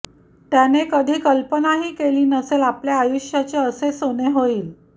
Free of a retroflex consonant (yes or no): yes